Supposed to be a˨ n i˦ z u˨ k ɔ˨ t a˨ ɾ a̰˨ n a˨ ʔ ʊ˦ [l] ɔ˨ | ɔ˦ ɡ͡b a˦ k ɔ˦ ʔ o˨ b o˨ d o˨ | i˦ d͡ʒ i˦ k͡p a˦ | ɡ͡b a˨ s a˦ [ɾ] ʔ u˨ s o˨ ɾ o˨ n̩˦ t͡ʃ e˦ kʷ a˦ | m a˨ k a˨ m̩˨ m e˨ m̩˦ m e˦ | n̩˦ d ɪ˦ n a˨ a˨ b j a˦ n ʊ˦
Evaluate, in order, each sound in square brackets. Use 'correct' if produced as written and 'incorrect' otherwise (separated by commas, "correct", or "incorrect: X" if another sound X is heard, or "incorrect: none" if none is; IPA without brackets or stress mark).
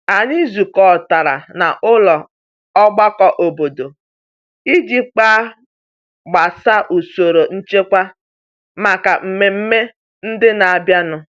correct, incorrect: none